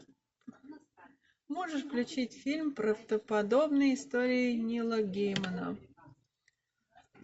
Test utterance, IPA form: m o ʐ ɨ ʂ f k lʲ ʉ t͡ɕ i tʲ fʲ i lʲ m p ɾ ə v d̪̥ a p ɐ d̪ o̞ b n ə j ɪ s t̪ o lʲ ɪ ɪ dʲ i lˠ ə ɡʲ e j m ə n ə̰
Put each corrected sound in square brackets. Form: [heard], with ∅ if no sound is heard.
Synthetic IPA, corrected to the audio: m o ʐ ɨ ʂ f k lʲ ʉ t͡ɕ i tʲ fʲ i lʲ m p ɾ ə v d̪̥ [ə] p ɐ d̪ o̞ b n ə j ɪ s t̪ o [ɾʲ] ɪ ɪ [nʲ] i lˠ ə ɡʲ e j m ə n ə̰